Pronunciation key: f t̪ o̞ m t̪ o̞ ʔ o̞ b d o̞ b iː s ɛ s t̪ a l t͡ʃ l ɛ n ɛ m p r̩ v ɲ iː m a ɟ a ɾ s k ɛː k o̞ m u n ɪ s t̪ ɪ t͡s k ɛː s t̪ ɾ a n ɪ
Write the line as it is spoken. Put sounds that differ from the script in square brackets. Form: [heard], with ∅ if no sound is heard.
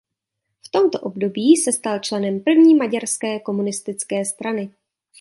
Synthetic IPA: f t̪ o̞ m t̪ o̞ ʔ o̞ b d o̞ b iː s ɛ s t̪ a l t͡ʃ l ɛ n ɛ m p r̩ v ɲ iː m a ɟ a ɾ s k ɛː k o̞ m u n ɪ s t̪ ɪ t͡s k ɛː s t̪ ɾ a n ɪ